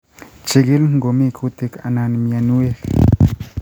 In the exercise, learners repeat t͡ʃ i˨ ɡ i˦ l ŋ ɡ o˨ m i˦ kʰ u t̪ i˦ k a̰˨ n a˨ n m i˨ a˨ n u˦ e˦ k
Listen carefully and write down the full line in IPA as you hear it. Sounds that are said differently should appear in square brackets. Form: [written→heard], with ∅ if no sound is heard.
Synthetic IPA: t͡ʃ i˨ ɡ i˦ l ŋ ɡ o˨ m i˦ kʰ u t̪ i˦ k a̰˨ n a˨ n m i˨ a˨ n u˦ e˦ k